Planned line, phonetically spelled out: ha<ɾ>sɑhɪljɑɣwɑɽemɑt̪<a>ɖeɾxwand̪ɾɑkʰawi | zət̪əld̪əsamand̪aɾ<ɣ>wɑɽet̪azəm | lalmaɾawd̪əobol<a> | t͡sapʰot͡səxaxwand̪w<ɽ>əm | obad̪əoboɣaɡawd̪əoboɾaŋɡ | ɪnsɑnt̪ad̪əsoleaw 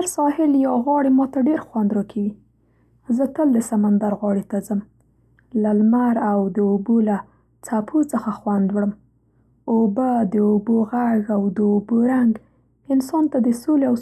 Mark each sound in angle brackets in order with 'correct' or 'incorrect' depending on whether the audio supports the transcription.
correct, correct, correct, correct, correct

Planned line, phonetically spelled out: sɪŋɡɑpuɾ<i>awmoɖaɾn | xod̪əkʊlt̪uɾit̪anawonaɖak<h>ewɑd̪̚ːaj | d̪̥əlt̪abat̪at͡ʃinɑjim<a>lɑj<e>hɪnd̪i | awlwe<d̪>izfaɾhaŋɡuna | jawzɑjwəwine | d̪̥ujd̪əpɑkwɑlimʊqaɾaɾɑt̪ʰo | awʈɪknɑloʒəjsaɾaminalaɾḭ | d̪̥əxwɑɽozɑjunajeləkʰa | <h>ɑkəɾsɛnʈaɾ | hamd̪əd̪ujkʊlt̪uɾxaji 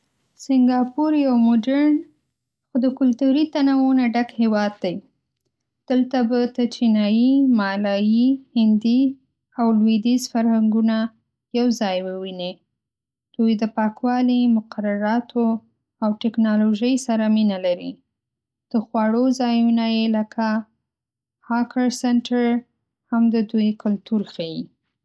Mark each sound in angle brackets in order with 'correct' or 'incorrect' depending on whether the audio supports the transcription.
incorrect: j, correct, incorrect: ɑ, incorrect: i, correct, correct

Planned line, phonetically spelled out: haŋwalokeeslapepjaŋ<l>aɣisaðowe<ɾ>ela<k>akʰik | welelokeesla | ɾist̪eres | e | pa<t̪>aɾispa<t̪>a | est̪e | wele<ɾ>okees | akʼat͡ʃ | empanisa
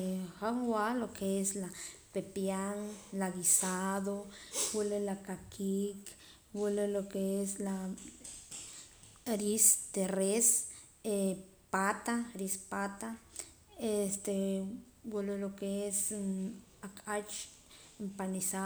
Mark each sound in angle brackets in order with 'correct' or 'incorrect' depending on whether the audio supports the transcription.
correct, incorrect: l, correct, correct, correct, incorrect: l

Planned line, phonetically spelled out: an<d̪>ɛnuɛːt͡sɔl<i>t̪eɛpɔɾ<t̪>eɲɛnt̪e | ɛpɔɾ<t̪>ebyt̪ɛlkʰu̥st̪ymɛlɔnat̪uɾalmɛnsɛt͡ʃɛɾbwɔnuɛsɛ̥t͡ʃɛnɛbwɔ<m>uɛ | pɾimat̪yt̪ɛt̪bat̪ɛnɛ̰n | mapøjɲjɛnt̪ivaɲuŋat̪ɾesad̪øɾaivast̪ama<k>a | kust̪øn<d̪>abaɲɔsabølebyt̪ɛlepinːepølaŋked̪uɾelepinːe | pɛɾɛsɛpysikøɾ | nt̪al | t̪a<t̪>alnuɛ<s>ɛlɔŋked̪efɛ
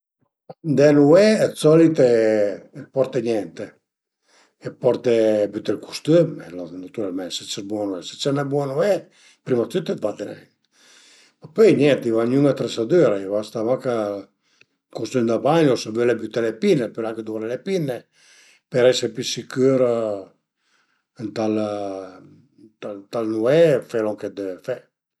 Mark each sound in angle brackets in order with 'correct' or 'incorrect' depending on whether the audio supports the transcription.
correct, correct, correct, correct, incorrect: n, correct, correct, correct, incorrect: f

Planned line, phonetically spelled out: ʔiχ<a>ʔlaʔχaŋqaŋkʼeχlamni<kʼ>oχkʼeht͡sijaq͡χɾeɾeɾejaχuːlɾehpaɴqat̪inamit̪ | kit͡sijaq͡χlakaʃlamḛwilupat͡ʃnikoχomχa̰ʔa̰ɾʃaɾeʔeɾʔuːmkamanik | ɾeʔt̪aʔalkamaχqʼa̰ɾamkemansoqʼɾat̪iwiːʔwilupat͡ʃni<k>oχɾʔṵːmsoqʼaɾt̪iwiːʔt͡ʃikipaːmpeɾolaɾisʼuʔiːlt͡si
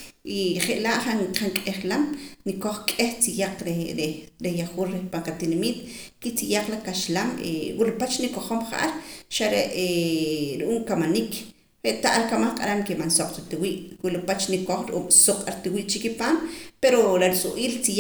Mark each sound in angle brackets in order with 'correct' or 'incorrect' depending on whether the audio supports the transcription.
incorrect: e, incorrect: k, correct

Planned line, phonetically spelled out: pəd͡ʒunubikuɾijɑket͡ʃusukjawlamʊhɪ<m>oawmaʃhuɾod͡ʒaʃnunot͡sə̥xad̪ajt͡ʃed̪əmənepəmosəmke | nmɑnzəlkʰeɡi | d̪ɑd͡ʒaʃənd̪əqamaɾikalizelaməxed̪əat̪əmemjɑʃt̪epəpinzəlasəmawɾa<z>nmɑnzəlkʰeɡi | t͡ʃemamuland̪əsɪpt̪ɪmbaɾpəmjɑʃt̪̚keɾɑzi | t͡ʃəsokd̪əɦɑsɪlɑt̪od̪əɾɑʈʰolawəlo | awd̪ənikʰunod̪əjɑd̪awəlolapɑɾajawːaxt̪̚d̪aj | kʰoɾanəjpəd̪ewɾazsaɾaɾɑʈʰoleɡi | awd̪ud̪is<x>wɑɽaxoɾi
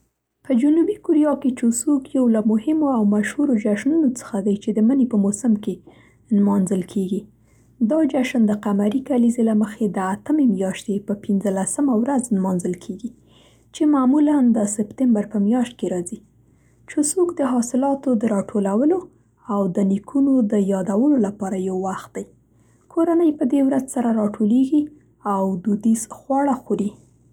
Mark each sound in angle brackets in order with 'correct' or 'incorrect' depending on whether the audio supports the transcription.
correct, correct, correct

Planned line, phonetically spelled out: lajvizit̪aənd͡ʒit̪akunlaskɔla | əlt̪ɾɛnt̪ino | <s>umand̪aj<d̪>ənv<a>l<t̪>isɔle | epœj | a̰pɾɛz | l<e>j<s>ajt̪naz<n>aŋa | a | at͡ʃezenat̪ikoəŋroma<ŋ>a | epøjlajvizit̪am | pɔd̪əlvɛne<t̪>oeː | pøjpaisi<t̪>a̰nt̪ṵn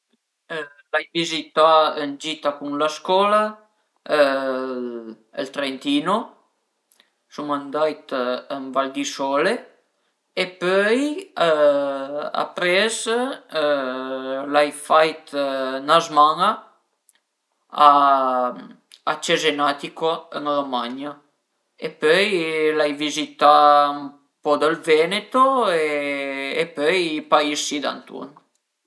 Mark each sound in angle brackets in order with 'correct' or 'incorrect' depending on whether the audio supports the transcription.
correct, incorrect: t̪, correct, incorrect: d̪, incorrect: a, incorrect: f, incorrect: m, incorrect: ɲ, correct, incorrect: d̪

